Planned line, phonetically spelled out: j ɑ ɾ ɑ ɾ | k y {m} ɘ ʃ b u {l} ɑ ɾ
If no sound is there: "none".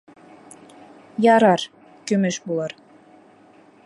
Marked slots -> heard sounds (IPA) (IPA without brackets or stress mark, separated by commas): m, l